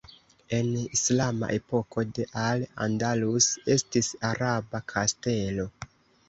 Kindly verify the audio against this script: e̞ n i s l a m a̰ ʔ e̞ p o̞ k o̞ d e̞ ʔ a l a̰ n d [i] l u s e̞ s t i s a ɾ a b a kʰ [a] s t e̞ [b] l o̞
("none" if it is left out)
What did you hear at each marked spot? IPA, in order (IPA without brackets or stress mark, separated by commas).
a, a, none